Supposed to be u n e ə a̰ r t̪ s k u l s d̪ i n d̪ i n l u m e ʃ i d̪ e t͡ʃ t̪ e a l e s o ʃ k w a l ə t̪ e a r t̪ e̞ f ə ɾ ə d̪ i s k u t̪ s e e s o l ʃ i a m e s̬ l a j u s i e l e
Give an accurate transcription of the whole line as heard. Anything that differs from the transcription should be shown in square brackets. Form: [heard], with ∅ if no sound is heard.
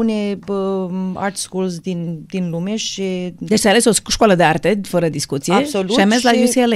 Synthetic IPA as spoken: u n e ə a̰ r t̪ s k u l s d̪ i n d̪ i n l u m e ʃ i d̪ e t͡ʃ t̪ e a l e s o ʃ k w a l ə [d̪] e a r t̪ e̞ f ə ɾ ə d̪ i s k u t̪ s [i] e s o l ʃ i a m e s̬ l a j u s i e l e